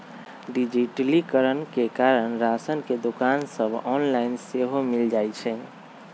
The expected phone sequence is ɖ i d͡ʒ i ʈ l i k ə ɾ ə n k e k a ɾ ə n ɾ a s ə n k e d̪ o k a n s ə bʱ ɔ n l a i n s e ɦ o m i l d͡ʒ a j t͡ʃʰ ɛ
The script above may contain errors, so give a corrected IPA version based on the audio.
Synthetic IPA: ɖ i d͡ʒ i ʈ l i k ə ɾ ə n k e k a ɾ ə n ɾ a s ə n k e d̪ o k a n s ə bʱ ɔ n l a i n s e ɦ o m i l d͡ʒ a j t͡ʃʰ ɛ